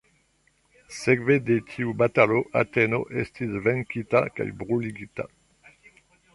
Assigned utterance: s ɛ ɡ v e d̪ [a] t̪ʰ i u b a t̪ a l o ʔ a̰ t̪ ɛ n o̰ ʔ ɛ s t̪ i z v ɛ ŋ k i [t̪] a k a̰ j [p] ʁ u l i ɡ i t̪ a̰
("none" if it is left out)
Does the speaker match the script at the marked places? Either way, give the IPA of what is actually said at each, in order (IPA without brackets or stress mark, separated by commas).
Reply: e, t̪, b